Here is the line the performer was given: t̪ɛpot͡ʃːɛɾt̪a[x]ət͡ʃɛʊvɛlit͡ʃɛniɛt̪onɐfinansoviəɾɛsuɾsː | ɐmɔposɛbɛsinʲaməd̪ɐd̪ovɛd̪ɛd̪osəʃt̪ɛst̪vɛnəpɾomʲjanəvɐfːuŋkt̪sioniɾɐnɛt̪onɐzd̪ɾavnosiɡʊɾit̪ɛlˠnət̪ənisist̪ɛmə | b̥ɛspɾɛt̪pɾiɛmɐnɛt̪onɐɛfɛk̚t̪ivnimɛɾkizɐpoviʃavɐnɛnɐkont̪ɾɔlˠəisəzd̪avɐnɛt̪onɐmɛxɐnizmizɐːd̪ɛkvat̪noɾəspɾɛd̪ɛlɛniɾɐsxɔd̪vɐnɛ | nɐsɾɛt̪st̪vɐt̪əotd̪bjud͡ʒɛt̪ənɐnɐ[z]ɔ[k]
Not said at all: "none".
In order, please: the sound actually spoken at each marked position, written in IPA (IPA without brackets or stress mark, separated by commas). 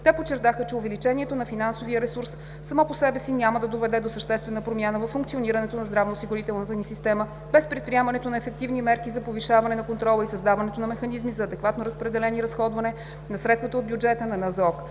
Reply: x, z, k